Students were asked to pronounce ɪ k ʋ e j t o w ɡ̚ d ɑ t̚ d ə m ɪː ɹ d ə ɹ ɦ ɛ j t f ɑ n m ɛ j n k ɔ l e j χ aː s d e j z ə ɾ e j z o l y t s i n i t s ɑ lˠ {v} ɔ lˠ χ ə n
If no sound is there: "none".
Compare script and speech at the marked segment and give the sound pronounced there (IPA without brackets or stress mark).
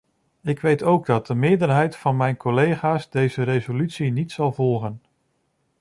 v